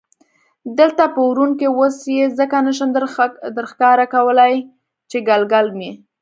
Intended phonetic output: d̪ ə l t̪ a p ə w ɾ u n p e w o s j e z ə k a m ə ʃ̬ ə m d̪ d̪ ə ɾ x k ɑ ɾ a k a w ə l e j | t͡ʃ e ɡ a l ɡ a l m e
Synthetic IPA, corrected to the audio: d̪ ə l t̪ a p ə w ɾ u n k e w o s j e z ə k a n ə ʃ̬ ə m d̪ d̪ ə ɾ x k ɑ ɾ a k a w ə l a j | t͡ʃ e ɡ a l ɡ a l m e